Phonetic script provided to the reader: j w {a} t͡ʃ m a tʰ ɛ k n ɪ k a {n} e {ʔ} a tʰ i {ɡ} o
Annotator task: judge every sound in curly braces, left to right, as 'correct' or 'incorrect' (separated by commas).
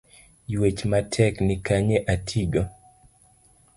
incorrect, incorrect, correct, correct